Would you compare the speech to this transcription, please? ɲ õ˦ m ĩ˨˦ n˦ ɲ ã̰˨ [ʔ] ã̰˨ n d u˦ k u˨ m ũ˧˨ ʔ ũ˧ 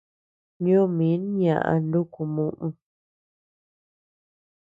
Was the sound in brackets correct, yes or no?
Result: yes